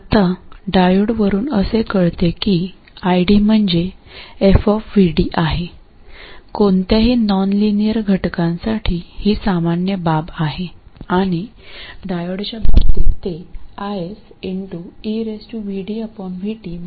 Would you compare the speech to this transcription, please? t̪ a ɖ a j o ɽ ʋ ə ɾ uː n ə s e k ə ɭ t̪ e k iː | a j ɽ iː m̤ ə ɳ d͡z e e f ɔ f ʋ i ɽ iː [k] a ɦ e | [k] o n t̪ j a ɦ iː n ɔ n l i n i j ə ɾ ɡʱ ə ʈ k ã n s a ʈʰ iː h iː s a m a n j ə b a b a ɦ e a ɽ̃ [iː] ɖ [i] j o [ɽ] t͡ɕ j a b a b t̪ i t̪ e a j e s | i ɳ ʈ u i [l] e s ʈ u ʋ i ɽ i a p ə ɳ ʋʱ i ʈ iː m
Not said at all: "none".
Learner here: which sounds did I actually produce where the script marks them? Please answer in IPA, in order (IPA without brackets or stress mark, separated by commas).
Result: ʔ, k, i, a, ɽ, ɾ